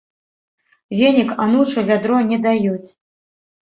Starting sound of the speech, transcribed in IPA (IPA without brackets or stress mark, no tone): vʲ